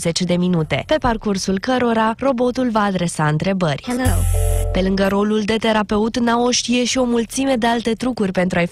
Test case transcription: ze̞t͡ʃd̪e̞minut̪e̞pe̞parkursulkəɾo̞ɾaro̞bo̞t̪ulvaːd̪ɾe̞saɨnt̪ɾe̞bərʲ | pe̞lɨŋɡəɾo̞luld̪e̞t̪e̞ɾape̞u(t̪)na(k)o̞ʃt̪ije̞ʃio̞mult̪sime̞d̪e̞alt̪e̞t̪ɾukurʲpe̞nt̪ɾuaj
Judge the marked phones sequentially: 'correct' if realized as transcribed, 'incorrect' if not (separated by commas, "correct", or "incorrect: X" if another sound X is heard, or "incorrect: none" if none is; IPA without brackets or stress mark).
correct, incorrect: none